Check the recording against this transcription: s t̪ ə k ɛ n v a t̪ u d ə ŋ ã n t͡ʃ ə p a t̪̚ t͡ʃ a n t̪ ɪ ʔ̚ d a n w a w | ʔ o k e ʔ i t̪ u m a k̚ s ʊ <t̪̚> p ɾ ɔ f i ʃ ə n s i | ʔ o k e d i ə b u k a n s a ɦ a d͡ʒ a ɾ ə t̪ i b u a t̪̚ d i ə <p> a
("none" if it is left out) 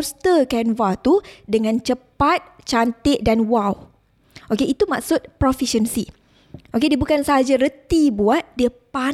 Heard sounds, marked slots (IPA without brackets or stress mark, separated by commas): t̪̚, p